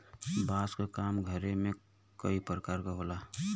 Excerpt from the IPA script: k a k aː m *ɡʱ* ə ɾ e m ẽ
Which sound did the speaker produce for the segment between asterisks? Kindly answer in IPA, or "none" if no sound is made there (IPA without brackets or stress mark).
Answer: ɡʱ